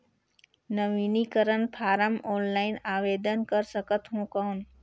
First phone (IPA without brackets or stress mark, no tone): n